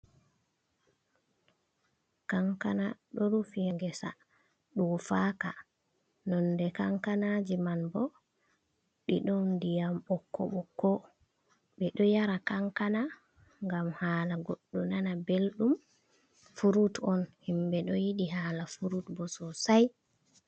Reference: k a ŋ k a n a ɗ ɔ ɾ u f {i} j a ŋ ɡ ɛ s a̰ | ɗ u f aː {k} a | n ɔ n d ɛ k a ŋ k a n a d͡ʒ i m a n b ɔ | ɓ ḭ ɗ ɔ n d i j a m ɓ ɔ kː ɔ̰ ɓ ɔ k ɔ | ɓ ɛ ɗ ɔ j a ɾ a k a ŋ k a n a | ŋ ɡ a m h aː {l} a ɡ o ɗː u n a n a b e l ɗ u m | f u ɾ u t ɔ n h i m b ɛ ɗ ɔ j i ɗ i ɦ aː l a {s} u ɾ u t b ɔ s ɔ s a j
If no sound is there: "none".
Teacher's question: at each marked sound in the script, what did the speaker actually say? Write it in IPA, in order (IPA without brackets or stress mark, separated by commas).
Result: i, k, l, f